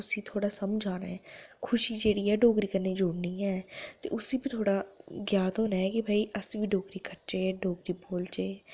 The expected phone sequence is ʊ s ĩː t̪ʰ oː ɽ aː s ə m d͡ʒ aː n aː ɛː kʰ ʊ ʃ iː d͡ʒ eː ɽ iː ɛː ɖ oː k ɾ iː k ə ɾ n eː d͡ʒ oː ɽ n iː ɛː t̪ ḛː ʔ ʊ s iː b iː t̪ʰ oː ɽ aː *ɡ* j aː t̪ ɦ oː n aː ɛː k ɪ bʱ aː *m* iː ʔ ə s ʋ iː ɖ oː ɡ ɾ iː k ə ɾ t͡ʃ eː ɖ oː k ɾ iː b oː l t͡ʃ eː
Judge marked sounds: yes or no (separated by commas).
yes, no